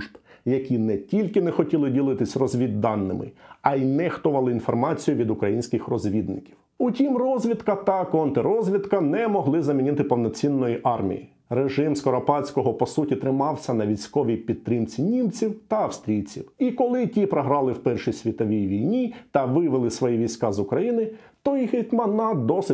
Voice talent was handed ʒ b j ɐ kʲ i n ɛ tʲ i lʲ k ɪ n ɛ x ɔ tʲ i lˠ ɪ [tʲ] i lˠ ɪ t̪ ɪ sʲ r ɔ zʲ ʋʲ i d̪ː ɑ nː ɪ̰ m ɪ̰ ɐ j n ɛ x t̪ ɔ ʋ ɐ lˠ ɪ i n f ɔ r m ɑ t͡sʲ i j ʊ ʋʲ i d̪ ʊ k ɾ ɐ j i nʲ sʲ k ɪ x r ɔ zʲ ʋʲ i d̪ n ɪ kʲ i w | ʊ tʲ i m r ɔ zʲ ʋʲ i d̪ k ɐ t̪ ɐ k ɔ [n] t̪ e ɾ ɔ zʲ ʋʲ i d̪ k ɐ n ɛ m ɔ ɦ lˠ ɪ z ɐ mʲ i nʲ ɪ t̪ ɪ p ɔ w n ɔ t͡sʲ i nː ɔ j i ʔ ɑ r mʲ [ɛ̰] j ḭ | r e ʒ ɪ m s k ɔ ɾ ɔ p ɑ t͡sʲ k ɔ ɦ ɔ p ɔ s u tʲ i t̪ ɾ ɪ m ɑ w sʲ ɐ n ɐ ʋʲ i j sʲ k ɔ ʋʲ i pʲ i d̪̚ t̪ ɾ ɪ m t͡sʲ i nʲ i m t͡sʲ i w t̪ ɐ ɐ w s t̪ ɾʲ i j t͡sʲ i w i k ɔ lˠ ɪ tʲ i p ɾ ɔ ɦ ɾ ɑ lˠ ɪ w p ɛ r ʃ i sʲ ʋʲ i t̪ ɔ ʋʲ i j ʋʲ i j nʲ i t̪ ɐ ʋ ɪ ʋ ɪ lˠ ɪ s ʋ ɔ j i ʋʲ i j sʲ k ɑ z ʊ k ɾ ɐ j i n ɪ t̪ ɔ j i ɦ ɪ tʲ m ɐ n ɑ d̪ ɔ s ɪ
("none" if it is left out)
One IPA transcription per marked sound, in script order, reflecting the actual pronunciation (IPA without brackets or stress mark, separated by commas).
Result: dʲ, n, ḭ